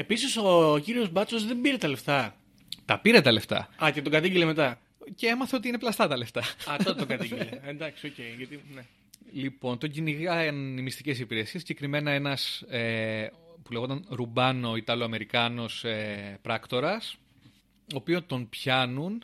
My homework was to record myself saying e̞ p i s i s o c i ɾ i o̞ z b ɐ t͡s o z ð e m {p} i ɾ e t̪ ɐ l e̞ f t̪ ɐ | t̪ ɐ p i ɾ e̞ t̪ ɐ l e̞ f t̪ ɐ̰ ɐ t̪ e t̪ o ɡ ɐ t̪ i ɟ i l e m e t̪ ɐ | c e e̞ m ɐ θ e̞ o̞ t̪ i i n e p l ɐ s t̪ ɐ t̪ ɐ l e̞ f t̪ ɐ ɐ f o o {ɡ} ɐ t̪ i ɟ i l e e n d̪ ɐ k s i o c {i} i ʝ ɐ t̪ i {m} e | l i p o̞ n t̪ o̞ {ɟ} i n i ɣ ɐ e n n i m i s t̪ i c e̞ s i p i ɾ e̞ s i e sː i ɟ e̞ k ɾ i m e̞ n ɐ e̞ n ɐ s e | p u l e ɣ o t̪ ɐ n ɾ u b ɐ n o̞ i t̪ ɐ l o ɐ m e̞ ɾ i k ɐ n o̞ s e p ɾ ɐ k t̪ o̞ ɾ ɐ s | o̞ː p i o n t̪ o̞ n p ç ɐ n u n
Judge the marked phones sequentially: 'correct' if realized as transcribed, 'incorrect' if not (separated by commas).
incorrect, correct, incorrect, incorrect, correct